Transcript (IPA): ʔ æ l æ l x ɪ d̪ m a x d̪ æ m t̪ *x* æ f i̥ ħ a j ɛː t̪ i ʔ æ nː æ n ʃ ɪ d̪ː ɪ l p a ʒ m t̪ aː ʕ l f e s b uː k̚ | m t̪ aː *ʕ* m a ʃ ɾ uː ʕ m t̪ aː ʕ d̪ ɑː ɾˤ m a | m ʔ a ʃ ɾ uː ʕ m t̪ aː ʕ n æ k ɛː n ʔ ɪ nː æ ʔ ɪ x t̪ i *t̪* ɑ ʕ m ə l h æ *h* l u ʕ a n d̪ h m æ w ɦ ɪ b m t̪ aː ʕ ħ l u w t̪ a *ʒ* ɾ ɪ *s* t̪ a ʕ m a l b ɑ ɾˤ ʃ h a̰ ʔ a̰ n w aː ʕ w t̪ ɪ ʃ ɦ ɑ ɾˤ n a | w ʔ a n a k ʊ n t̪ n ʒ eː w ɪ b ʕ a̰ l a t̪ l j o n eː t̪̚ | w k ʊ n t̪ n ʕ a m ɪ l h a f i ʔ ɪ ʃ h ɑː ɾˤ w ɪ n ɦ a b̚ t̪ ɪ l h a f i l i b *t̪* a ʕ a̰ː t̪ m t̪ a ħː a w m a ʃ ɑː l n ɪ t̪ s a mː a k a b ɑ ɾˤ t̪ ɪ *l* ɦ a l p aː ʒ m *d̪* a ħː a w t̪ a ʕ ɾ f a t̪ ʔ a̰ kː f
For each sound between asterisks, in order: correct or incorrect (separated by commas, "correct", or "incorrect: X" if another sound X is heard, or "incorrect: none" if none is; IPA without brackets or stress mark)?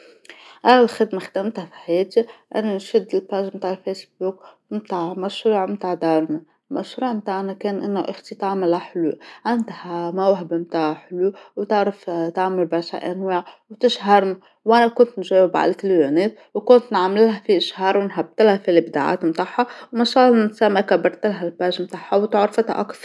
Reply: incorrect: h, correct, correct, incorrect: ħ, incorrect: ʕ, incorrect: f, incorrect: d̪, correct, incorrect: t̪